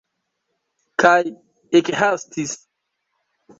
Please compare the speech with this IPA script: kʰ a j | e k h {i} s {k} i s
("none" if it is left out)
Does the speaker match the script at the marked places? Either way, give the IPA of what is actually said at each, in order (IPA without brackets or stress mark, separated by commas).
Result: a, t